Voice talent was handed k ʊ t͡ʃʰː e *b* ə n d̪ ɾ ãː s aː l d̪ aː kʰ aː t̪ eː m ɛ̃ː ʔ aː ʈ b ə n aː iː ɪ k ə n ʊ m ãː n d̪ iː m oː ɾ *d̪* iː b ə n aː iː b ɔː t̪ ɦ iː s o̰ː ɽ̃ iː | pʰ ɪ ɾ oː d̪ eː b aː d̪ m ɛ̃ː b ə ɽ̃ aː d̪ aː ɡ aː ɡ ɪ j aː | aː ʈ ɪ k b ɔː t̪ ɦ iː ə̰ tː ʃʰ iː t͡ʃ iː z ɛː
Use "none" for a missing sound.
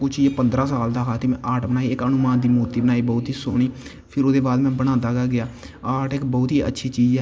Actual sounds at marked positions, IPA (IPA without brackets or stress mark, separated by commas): p, t̪